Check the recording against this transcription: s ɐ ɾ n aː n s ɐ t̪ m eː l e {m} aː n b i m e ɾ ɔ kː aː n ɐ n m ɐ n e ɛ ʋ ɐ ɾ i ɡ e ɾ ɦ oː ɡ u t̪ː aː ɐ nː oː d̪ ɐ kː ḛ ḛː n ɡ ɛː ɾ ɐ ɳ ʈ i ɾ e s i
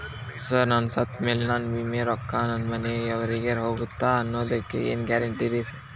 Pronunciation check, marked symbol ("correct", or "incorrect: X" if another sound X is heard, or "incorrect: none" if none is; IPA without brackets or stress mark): incorrect: n